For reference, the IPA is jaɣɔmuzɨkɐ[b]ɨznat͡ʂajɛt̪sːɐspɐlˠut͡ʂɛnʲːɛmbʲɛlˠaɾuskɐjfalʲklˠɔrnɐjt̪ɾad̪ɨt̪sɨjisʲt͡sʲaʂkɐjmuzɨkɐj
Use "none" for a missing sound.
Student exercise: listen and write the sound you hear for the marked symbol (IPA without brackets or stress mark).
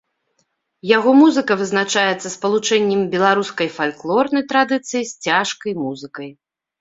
v